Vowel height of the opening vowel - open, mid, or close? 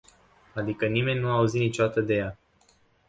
open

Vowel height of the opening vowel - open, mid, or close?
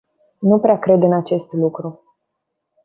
close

